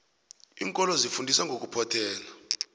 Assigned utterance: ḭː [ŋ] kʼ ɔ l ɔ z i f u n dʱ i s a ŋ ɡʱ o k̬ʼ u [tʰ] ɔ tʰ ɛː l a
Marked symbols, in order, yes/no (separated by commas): yes, no